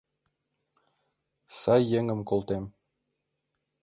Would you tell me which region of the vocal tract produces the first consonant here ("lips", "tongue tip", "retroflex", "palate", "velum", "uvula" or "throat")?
tongue tip